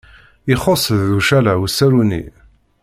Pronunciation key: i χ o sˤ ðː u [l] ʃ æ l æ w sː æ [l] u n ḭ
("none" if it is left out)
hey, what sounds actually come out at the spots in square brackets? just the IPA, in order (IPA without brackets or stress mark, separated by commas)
none, ɾ